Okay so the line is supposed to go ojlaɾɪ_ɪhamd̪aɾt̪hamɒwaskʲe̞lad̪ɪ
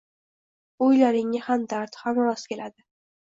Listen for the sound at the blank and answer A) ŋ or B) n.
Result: A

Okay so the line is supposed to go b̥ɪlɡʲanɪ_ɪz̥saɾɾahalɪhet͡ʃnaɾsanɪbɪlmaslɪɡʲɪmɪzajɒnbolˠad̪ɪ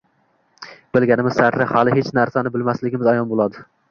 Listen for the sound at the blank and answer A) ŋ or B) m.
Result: B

